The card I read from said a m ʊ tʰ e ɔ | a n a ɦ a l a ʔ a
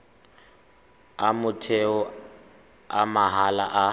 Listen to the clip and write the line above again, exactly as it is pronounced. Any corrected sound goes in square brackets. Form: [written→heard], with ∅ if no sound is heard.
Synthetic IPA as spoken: a m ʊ tʰ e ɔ | a [n→m] a ɦ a l a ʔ a